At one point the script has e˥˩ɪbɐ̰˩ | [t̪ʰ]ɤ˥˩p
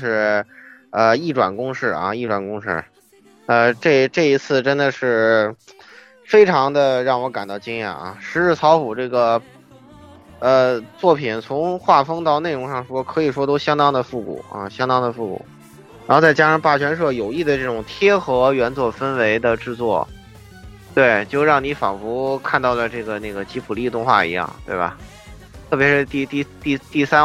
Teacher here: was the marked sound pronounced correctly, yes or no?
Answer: yes